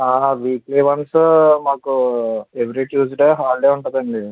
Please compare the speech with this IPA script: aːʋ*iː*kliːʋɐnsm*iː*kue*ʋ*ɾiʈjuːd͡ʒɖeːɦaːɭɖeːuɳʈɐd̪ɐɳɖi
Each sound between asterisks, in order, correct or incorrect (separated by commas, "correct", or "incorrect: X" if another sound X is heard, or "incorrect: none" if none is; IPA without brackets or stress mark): correct, incorrect: aː, correct